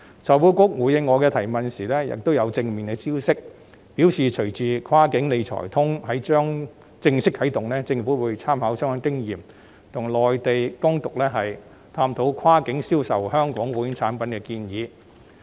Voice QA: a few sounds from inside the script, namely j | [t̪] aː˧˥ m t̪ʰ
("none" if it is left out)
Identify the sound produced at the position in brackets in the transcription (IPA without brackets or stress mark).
t̪ʰ